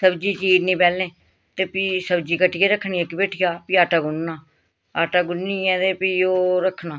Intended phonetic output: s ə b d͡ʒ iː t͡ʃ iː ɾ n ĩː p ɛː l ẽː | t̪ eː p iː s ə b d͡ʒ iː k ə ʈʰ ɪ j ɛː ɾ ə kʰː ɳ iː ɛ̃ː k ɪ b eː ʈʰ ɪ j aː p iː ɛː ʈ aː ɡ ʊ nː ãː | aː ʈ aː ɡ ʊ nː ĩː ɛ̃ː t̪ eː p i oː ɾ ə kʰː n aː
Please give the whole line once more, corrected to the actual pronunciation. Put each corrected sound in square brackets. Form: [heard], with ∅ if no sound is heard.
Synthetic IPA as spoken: s ə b d͡ʒ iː t͡ʃ iː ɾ n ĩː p ɛː l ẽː | t̪ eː p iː s ə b d͡ʒ iː k ə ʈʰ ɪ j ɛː ɾ ə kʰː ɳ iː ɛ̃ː k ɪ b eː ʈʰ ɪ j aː p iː [aː] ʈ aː ɡ ʊ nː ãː | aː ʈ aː ɡ ʊ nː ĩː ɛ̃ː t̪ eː p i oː ɾ ə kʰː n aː